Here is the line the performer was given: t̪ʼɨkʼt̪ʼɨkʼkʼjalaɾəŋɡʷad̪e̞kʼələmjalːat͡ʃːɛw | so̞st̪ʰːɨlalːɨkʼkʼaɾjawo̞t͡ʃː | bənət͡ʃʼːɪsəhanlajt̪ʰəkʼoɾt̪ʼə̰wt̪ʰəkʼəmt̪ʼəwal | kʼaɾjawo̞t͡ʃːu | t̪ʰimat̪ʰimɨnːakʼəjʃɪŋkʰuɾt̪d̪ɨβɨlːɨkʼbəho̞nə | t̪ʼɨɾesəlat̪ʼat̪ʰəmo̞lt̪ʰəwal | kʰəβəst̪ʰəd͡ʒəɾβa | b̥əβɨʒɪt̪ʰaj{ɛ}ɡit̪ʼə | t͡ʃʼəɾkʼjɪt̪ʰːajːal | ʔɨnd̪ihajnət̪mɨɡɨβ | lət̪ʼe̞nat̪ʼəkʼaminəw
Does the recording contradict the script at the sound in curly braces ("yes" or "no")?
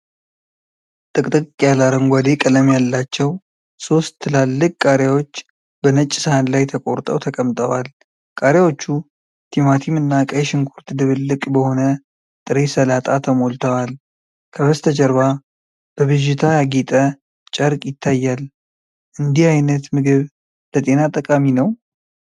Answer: yes